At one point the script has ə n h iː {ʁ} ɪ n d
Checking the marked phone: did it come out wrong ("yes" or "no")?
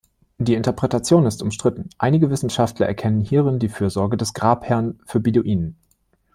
no